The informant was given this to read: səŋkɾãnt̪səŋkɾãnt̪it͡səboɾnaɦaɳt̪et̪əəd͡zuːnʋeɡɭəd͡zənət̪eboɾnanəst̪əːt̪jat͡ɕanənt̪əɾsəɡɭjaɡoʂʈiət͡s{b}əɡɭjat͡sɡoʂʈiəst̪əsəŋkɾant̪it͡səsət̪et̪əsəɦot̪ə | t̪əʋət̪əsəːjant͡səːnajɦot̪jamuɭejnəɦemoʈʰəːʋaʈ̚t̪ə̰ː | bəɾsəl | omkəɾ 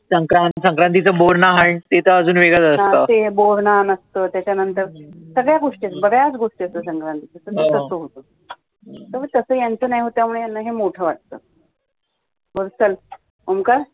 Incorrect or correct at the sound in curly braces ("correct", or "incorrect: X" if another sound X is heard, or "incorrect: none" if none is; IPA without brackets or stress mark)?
correct